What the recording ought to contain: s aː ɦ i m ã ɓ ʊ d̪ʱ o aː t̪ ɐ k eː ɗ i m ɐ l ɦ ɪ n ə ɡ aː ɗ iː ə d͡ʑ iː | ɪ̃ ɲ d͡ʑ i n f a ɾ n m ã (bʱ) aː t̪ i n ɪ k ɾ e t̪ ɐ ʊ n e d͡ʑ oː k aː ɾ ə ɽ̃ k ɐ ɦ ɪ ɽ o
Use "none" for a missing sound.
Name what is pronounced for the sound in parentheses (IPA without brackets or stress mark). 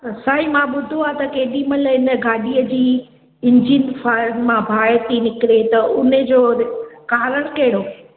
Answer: bʱ